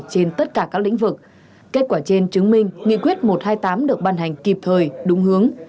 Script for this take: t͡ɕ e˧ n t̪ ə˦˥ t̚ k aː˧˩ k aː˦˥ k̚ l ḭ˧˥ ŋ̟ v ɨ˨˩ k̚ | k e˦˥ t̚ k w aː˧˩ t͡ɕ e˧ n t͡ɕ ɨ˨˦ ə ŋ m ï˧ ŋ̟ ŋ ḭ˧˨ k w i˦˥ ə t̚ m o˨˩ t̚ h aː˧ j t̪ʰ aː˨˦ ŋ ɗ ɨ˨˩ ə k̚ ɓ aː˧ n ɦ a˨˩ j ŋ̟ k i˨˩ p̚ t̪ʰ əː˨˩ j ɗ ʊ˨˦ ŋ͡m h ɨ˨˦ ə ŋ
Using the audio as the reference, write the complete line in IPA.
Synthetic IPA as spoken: t͡ɕ e˧ n t̪ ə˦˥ t̚ k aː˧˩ k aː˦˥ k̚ l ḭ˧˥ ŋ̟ v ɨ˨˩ k̚ | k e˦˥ t̚ k w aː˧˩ t͡ɕ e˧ n t͡ɕ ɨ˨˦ ə ŋ m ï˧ ŋ̟ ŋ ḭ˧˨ k w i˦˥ ə t̚ m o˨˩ t̚ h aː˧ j t̪ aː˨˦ m ɗ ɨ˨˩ ə k̚ ɓ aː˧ n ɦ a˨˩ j ŋ̟ k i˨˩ p̚ t̪ʰ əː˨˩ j ɗ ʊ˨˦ ŋ͡m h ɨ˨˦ ə ŋ

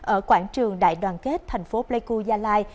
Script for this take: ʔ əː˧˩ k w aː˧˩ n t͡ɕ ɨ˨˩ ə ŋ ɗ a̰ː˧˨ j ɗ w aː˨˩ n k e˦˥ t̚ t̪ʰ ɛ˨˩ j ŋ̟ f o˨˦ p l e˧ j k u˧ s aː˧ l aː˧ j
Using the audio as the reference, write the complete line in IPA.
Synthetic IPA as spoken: ʔ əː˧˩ k w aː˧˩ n t͡ɕ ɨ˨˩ ə ŋ ɗ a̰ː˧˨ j ɗ w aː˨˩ n k e˦˥ t̚ t̪ʰ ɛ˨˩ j ŋ̟ f o˨˦ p l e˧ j k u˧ z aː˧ l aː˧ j

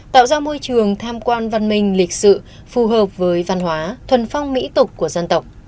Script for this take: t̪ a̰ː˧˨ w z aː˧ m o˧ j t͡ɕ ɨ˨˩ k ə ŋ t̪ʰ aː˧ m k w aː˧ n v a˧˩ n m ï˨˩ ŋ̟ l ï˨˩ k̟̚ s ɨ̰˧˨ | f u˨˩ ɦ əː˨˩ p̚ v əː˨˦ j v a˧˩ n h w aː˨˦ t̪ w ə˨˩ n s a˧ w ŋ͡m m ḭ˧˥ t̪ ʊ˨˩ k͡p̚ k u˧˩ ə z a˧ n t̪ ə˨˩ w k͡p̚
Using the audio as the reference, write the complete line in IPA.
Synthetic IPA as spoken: t̪ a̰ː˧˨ w z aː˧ m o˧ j t͡ɕ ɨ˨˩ ə ŋ t̪ʰ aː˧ m k w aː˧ n v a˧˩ n m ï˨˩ ŋ̟ l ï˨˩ k̟̚ s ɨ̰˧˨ | f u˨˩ ɦ əː˨˩ p̚ v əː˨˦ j v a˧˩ n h w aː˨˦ t̪ʰ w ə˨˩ n f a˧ w ŋ͡m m ḭ˧˥ t̪ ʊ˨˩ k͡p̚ k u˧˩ ə z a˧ n t̪ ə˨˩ w k͡p̚

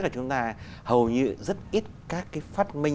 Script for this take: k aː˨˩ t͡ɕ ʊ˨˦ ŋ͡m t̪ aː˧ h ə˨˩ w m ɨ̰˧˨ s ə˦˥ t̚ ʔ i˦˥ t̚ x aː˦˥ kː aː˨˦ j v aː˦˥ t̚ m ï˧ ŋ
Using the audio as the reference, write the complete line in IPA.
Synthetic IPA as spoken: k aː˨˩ t͡ɕ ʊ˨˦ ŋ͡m t̪ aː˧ h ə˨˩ w ɲ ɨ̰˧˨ z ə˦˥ t̚ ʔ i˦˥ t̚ k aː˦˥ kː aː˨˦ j f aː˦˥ t̚ m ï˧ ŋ

